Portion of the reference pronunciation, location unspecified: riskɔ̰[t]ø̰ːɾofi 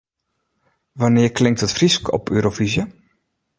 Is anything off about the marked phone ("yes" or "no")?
yes